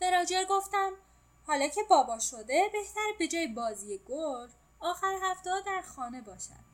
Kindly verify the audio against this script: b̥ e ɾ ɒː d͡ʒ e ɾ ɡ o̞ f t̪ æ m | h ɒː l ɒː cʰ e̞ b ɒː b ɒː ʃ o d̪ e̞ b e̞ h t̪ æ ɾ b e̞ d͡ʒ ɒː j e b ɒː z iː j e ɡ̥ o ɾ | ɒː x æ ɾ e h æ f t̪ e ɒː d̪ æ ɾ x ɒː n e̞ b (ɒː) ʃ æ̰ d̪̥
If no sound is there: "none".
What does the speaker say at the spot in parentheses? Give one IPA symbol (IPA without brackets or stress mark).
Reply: ɒː